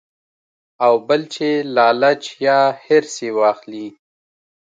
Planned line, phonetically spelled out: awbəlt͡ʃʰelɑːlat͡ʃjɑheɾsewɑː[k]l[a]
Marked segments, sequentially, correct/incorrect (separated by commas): incorrect, incorrect